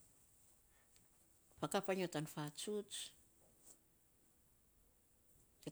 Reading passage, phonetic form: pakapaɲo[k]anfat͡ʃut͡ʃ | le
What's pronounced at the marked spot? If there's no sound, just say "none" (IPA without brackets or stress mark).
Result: t